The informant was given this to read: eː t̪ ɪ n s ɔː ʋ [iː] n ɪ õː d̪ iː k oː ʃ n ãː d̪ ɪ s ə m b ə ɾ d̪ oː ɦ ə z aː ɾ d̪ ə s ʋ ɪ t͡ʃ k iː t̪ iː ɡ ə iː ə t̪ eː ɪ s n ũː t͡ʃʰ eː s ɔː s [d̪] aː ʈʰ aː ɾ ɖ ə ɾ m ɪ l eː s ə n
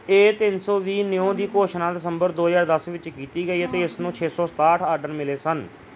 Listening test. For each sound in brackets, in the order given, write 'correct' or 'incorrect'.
correct, incorrect

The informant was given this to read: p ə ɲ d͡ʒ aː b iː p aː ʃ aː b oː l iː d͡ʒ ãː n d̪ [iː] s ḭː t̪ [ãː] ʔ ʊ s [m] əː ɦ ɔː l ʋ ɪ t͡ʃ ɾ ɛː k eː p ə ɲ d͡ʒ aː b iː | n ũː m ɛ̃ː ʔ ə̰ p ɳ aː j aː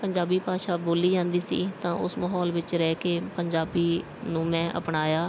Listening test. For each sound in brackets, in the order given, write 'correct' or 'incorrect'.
correct, correct, correct

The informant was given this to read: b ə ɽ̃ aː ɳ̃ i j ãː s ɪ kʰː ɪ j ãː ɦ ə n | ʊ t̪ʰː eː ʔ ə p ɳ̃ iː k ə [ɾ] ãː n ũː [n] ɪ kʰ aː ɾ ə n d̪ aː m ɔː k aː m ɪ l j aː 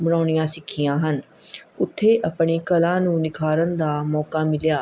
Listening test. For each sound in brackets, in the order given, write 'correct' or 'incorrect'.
incorrect, correct

